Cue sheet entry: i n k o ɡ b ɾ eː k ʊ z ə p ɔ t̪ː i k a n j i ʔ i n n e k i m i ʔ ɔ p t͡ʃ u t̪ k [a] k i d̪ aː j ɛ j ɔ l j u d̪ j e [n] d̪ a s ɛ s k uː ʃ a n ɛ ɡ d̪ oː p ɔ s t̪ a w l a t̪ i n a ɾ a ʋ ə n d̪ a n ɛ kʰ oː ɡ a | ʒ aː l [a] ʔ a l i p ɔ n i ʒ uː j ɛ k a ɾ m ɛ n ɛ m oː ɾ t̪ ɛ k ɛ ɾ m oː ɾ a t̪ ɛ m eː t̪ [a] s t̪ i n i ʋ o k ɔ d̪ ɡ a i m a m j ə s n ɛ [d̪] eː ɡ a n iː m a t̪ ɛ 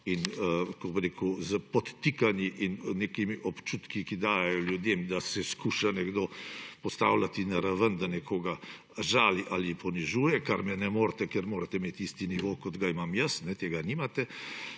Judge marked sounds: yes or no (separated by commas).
no, no, no, no, no